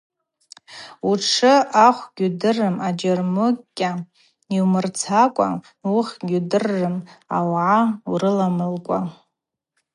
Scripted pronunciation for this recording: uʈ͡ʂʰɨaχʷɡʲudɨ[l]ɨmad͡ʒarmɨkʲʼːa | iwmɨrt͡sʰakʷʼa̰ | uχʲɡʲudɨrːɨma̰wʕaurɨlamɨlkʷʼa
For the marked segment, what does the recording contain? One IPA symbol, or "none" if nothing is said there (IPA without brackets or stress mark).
r